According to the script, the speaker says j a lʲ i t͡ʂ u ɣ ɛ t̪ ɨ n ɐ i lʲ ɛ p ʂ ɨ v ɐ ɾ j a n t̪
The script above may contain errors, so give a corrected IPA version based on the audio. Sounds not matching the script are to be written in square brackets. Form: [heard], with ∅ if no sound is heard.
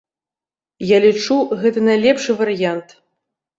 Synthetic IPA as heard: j a lʲ i t͡ʂ u ɣ ɛ t̪ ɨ n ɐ [j] lʲ ɛ p ʂ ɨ v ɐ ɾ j a n t̪